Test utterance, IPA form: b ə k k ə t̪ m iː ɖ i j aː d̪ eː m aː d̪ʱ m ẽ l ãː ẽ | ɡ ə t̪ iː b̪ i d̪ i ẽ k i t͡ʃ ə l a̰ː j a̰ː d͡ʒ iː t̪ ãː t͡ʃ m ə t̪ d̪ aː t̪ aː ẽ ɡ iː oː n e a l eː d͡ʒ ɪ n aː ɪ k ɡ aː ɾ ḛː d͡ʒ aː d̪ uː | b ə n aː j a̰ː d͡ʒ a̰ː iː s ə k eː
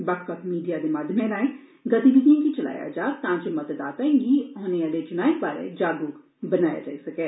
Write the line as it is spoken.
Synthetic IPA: b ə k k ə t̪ m iː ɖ i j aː d̪ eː m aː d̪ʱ m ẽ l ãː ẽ | ɡ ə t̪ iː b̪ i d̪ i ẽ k i t͡ʃ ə l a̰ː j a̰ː d͡ʒ aː t̪ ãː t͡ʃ m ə t̪ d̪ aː t̪ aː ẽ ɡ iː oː n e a l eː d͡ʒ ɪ n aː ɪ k b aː ɾ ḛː d͡ʒ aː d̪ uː | b ə n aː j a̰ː d͡ʒ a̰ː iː s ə k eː